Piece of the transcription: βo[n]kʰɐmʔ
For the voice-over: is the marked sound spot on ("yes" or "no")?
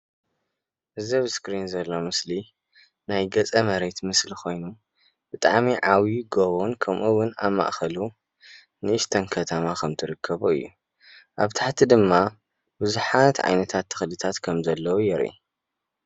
yes